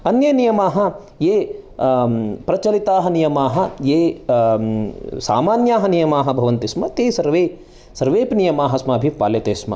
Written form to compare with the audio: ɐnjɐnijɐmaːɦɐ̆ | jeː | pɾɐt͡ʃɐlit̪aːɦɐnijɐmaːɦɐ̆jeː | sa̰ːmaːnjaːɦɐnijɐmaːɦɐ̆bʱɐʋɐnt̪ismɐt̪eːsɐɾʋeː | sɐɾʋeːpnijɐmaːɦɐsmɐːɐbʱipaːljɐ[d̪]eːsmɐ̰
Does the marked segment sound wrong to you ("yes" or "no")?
yes